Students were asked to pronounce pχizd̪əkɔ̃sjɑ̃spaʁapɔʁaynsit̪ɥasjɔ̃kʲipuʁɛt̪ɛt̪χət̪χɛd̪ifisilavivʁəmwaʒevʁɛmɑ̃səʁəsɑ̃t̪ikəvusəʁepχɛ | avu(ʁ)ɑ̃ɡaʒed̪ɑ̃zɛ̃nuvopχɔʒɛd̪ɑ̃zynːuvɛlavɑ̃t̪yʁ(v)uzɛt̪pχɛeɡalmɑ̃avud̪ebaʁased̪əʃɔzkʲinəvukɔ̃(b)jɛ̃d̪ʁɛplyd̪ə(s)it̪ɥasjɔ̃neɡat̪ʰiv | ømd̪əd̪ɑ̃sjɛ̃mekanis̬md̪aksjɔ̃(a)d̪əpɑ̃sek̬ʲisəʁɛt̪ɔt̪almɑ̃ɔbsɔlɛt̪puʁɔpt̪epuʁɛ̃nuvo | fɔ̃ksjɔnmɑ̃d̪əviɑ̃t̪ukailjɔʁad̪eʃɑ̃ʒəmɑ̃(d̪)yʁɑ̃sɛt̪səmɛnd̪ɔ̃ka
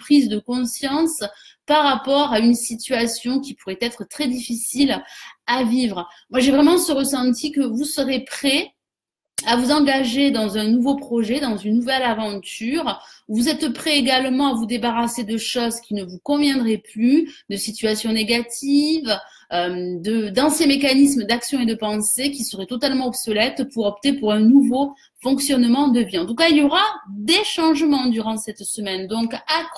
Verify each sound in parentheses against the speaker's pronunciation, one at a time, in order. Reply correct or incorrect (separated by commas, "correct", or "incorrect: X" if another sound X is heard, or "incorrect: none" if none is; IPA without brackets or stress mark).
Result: incorrect: z, correct, incorrect: v, correct, incorrect: e, correct